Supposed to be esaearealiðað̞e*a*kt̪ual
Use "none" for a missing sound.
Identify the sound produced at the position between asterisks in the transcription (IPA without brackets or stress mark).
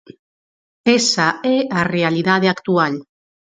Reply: a